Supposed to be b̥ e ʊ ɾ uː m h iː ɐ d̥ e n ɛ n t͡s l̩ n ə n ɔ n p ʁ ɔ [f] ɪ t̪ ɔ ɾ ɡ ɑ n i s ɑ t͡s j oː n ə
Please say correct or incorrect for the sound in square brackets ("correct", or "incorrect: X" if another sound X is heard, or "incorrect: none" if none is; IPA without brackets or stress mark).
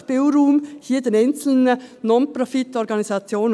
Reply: correct